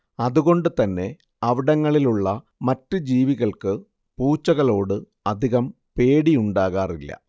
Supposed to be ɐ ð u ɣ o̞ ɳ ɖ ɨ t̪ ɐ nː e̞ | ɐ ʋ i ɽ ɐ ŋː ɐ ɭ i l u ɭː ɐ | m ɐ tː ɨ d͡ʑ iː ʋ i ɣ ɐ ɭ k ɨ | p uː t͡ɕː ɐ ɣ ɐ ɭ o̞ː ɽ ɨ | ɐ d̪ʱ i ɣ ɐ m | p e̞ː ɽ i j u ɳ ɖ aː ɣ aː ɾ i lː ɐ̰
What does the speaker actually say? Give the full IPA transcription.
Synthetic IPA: ɐ ð u ɣ o̞ ɳ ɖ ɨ t̪ ɐ nː e̞ | ɐ ʋ i ɽ ɐ ŋː ɐ ɭ i l u ɭː ɐ | m ɐ tː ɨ d͡ʑ iː ʋ i ɣ ɐ ɭ k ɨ | p uː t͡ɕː ɐ ɣ ɐ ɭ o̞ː ɽ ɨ | ɐ d̪ʱ i ɣ ɐ m | p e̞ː ɽ i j u ɳ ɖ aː ɣ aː r i lː ɐ̰